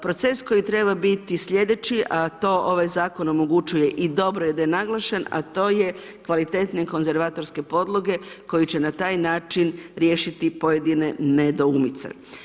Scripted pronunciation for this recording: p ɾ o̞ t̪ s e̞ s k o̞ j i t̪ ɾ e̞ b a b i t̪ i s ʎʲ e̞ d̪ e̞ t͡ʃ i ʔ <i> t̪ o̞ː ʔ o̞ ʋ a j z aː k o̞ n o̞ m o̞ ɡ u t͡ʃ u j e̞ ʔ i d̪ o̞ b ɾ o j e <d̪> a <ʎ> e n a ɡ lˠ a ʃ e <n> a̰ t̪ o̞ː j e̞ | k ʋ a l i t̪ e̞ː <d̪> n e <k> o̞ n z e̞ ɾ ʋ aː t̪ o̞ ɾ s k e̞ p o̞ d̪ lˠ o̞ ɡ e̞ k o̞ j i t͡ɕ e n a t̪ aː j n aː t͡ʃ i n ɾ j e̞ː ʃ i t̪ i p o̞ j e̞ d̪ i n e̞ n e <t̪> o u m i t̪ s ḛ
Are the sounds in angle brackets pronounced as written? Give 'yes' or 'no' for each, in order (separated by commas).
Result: no, yes, no, yes, no, yes, no